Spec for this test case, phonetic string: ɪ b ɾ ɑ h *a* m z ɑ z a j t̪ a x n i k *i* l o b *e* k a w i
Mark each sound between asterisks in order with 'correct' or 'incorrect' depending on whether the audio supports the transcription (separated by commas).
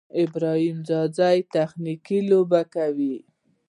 incorrect, correct, incorrect